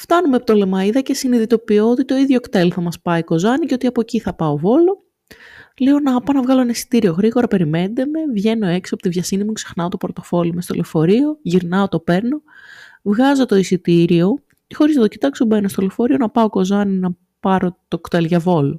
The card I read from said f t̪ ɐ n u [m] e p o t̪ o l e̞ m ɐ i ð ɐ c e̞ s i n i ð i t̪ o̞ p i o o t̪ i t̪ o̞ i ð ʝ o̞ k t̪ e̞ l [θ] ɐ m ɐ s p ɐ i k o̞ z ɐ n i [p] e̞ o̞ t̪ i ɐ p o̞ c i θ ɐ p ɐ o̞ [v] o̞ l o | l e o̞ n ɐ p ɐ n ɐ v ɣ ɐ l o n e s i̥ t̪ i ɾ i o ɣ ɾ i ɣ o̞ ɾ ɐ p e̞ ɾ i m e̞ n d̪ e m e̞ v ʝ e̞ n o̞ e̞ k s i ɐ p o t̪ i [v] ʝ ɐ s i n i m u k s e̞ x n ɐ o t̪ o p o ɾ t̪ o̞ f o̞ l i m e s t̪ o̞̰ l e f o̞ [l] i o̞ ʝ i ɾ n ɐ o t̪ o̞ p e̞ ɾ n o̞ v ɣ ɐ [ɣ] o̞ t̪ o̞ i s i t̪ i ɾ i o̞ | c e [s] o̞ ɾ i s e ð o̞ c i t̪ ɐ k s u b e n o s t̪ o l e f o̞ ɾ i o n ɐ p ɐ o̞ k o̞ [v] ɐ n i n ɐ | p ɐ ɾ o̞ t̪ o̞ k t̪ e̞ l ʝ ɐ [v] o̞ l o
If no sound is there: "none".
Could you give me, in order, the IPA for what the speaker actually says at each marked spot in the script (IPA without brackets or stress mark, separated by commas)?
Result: m, θ, c, v, v, ɾ, z, x, z, v